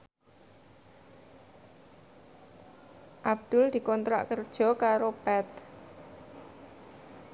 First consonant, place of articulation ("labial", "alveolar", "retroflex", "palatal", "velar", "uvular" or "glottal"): glottal